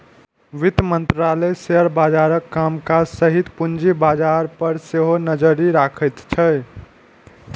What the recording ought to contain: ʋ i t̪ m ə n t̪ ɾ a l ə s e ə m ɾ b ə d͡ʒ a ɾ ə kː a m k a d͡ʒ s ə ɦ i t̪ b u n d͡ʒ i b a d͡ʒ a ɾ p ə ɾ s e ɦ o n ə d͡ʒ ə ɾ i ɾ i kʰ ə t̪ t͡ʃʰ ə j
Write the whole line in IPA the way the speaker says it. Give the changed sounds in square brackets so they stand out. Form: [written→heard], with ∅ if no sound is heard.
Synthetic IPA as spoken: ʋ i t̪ m ə n t̪ ɾ a l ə s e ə [m→∅] ɾ b [ə→a] d͡ʒ a ɾ ə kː a m k a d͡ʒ s ə ɦ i t̪ [b→p] u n d͡ʒ i b a d͡ʒ a ɾ p ə ɾ s e ɦ o n ə d͡ʒ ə ɾ i ɾ [i→a] kʰ ə t̪ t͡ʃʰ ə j